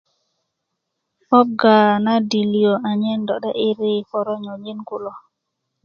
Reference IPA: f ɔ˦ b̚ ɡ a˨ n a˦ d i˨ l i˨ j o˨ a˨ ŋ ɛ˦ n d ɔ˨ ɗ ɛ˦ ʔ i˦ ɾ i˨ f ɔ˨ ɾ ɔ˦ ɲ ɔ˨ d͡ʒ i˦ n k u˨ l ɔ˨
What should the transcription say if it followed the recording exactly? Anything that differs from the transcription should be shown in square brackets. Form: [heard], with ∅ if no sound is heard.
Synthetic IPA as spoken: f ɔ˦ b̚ ɡ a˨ n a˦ d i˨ l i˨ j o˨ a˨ [ɲ] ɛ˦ n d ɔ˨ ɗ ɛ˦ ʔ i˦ ɾ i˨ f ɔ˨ ɾ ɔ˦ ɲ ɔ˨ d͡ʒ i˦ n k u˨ l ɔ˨